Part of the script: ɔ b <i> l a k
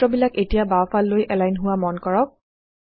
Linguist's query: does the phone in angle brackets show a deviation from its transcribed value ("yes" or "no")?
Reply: no